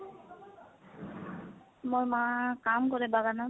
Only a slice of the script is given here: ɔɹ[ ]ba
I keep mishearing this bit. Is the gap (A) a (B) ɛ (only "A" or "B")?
B